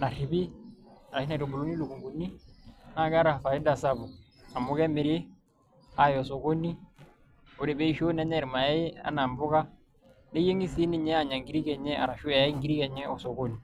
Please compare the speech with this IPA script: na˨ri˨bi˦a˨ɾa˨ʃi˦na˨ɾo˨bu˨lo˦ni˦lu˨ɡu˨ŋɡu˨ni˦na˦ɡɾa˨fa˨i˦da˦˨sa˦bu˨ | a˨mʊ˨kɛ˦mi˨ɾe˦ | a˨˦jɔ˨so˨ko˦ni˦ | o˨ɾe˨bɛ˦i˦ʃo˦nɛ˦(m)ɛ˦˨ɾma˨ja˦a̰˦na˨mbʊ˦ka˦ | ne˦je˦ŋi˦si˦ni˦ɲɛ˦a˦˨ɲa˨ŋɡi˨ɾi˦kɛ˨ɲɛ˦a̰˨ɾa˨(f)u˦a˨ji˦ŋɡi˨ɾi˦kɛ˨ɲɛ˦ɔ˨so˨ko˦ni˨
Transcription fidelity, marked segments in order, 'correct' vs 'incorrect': incorrect, incorrect

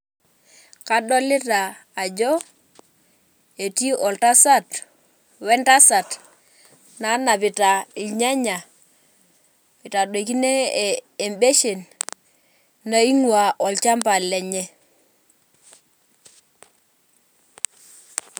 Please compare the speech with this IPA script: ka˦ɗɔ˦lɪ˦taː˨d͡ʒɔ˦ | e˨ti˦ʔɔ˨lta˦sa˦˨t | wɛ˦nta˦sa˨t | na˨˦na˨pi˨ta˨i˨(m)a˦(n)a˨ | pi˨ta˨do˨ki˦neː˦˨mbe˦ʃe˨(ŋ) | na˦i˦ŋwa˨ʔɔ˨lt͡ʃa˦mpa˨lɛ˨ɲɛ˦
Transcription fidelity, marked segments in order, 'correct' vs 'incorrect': incorrect, incorrect, incorrect

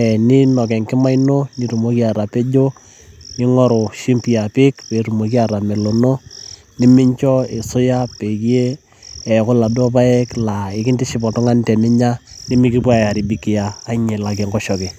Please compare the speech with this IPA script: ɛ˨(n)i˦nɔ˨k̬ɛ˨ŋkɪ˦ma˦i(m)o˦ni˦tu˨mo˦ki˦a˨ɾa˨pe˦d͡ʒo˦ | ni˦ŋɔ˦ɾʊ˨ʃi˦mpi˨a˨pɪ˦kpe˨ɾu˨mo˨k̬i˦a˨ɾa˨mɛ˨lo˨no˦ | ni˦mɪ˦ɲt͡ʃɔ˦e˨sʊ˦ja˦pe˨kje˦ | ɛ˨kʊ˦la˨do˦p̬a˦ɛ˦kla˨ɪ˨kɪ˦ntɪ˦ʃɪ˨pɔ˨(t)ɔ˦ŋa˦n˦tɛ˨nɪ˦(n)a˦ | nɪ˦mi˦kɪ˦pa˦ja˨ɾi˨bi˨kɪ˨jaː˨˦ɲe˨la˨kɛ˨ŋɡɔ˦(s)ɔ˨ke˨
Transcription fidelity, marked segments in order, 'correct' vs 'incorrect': correct, incorrect, correct, incorrect, incorrect

